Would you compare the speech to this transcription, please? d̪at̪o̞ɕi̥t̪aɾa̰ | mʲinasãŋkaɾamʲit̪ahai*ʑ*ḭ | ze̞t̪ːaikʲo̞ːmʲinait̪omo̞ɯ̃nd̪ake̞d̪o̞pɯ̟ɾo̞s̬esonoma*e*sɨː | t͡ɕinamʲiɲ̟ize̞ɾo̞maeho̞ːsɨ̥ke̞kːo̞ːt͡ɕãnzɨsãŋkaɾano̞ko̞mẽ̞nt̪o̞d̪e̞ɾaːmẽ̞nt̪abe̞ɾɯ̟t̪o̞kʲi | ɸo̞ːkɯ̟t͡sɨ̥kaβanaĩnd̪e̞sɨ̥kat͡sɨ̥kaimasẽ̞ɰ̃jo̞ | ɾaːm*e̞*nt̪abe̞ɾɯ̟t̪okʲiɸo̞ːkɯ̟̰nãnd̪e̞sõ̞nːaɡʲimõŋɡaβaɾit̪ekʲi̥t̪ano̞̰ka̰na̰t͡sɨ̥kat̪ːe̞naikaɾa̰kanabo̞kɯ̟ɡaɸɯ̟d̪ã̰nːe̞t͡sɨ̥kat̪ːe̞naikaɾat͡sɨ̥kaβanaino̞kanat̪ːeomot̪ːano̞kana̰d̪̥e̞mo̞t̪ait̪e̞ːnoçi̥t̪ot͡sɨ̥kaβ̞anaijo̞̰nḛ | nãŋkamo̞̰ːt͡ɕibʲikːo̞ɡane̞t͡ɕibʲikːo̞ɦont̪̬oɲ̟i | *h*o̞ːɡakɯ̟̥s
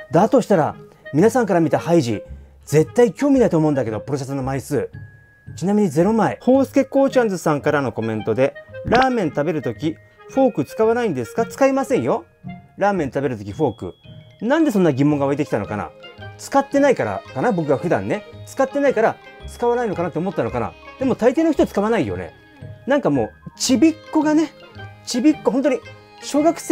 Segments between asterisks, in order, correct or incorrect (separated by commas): correct, incorrect, incorrect, incorrect